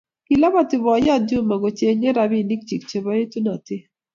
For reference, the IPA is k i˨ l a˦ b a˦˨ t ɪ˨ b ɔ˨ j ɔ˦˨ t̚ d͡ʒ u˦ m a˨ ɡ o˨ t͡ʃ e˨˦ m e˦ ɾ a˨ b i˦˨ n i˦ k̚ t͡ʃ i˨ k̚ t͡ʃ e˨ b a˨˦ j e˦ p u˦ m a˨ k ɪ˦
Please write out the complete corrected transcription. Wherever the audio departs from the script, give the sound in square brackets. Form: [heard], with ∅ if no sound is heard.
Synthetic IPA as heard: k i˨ l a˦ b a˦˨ t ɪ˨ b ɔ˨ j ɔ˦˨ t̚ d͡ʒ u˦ m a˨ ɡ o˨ t͡ʃ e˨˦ [ɲ] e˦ ɾ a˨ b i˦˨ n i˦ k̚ t͡ʃ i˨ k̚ t͡ʃ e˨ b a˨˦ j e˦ [t] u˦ [n] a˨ [t] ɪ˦